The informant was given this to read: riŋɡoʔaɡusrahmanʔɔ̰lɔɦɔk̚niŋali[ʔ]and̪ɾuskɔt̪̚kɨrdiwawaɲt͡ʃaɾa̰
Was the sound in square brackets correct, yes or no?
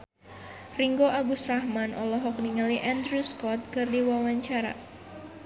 yes